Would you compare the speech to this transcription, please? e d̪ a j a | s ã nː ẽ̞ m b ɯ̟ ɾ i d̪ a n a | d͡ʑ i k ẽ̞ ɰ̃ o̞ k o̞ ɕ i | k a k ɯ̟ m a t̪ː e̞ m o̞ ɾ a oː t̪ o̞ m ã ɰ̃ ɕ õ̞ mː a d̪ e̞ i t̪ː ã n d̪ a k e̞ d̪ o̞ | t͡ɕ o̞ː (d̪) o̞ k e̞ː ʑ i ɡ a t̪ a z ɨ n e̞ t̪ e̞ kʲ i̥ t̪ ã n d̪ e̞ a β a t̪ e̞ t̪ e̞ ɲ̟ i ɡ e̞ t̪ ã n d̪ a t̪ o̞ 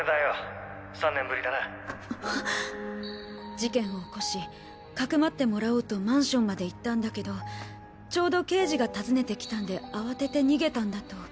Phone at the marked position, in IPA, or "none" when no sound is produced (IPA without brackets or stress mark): d̪